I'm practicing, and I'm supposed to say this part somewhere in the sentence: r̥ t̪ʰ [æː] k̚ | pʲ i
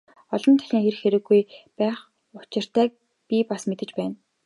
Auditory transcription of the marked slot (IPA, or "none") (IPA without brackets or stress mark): æː